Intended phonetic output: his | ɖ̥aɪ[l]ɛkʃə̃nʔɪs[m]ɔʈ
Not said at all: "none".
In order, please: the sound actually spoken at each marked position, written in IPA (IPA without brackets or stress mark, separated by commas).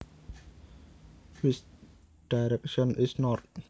ɾ, n